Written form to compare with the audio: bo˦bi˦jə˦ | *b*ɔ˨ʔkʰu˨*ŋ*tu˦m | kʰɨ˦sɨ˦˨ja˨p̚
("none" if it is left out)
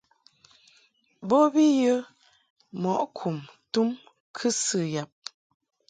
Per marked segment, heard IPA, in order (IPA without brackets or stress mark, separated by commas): m, m